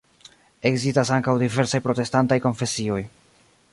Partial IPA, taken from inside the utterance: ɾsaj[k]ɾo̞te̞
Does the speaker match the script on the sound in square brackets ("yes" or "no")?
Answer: no